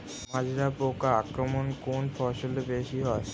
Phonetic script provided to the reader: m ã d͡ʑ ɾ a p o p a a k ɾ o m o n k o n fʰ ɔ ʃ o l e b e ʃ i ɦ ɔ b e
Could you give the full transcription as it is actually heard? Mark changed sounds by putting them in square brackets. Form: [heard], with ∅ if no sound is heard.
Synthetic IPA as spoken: m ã d͡ʑ ɾ a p o [k] a a k ɾ o m o n k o n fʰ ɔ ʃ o l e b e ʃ i ɦ ɔ [∅] e